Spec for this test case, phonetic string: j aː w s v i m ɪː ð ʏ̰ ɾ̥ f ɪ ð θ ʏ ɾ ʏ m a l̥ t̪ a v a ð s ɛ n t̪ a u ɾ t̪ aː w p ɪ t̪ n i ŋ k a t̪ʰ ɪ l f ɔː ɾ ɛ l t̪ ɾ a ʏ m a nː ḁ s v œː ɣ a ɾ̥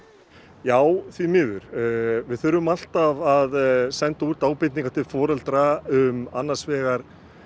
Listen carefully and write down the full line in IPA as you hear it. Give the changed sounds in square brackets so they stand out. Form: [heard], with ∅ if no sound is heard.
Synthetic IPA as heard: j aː w [θ] v i m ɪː ð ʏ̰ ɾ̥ [v] ɪ ð θ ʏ ɾ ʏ m a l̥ t̪ a v a ð s ɛ n t̪ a u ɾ t̪ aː w p ɪ t̪ n i ŋ k a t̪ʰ ɪ l f ɔː ɾ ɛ l t̪ ɾ a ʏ m a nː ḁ s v [ɛː] ɣ a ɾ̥

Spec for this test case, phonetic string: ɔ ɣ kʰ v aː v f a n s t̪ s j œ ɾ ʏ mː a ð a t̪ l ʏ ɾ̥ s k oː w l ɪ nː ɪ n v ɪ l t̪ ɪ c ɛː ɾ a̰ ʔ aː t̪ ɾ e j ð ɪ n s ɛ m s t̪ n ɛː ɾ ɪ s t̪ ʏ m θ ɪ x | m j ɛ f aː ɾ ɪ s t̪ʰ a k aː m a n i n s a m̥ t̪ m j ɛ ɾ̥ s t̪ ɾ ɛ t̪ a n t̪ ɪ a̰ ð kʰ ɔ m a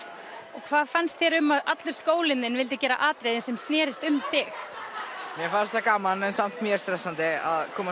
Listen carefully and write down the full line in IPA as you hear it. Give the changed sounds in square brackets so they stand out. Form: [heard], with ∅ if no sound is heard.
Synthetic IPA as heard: ɔ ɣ kʰ v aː [ð] f a n s t̪ [θ] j [ɛ] ɾ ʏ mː a ð a t̪ l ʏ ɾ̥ s k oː w l ɪ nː ɪ n v ɪ l t̪ ɪ c ɛː ɾ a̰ ʔ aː t̪ ɾ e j ð ɪ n s ɛ m s t̪ n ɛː ɾ ɪ s t̪ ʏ m θ ɪ x | m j ɛ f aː ɾ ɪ s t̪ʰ a k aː m a n [ɛ] n s a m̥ t̪ m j ɛ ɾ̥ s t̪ ɾ ɛ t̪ a n t̪ ɪ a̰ ð kʰ [ɔː] m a

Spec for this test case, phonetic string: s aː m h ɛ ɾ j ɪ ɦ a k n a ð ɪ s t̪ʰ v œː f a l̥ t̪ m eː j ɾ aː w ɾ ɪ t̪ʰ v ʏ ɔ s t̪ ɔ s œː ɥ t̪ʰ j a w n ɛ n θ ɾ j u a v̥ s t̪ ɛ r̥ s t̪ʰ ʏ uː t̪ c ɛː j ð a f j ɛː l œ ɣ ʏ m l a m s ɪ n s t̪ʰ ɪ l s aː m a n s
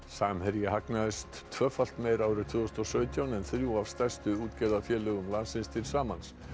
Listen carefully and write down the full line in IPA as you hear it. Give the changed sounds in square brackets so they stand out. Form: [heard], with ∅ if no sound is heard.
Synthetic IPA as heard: s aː m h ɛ ɾ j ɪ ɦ a k n a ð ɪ s t̪ʰ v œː f a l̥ t̪ m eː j ɾ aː w ɾ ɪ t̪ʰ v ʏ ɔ s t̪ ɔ s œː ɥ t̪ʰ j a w n ɛ n θ ɾ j u a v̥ s t̪ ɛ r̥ s [t̪] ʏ uː t̪ c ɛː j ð a f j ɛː l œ ɣ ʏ m l a [n] s ɪ n s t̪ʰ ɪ l s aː m a n s

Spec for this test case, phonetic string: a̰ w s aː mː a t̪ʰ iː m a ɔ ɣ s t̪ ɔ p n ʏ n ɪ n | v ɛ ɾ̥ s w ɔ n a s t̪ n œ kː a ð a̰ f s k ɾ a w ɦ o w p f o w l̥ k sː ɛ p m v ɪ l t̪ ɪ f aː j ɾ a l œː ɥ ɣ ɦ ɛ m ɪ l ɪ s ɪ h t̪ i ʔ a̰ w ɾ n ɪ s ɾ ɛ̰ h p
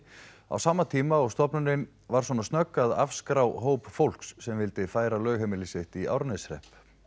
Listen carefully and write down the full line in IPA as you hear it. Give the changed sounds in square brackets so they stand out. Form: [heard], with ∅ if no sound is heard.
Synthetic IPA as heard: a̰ w s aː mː a t̪ʰ iː m a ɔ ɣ s t̪ ɔ p n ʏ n ɪ n | v [a] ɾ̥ s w ɔ n a s t̪ n œ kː a ð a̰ f s k ɾ a w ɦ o w p f o w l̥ k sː ɛ [∅] m v ɪ l t̪ ɪ f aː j ɾ a l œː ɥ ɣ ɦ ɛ m ɪ l ɪ s ɪ h t̪ i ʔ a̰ w ɾ n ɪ s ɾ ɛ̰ h p

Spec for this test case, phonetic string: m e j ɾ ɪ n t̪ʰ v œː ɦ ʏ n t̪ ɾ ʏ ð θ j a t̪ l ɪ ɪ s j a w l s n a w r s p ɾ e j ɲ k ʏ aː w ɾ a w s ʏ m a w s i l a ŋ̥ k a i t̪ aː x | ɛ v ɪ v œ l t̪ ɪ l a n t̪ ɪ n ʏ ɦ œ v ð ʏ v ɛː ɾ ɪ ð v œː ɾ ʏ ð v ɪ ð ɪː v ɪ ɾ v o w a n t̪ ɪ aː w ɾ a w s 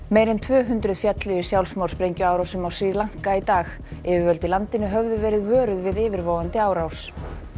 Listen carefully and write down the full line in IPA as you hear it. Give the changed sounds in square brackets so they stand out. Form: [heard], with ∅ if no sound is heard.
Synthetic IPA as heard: m e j ɾ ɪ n t̪ʰ v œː ɦ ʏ n t̪ ɾ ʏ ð [f] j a t̪ l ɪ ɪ s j a w l s [m] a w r s p ɾ e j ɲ [c] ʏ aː w ɾ a w s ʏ m a w s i l a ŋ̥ k a i t̪ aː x | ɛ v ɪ v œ l t̪ ɪ l a n t̪ ɪ n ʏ ɦ œ v ð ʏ v ɛː ɾ ɪ ð v œː ɾ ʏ ð v ɪ ð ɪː v ɪ ɾ v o w a n t̪ ɪ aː w ɾ a w s

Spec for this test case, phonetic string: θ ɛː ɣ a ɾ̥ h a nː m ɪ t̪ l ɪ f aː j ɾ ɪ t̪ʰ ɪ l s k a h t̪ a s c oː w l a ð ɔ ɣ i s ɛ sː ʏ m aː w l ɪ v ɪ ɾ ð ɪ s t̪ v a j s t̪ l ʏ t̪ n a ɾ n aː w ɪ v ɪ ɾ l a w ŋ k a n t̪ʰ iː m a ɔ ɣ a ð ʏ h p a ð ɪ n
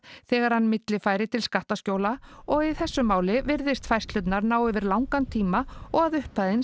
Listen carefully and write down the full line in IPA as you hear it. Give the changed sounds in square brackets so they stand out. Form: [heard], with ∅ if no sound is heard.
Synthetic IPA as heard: θ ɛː ɣ a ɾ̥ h a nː m ɪ t̪ l ɪ f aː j ɾ ɪ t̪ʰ ɪ l s k a h t̪ a s c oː w l a [∅] ɔ ɣ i [θ] ɛ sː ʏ m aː w l ɪ v ɪ ɾ ð ɪ s t̪ [f] a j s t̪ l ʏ t̪ n a ɾ n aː w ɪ v ɪ ɾ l a w ŋ k a n t̪ʰ iː m a ɔ ɣ a ð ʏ h p a ð ɪ n

